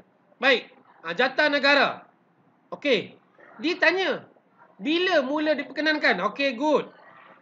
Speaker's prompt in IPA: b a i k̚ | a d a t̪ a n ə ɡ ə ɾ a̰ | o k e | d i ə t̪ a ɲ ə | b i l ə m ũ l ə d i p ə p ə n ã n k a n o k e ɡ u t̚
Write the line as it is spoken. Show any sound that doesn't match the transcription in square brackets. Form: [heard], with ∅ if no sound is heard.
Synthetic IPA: b a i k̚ | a [d͡ʒ] a t̪ a n ə ɡ [a] ɾ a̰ | o k e | d i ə t̪ a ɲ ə | b i l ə m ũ l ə d i p ə [k] ə n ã n k a n o k e ɡ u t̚